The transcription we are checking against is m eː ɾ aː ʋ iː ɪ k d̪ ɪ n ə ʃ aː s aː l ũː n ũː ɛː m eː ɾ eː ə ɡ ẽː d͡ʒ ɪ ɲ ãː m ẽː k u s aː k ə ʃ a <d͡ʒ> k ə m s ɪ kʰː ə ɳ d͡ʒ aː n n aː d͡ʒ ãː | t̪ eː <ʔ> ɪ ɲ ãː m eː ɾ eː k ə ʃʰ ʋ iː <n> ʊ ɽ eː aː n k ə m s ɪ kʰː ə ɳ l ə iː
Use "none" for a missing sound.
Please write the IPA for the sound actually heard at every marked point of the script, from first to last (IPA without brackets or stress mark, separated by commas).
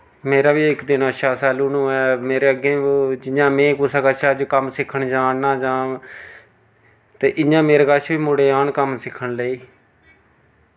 d͡ʒ, ʔ, m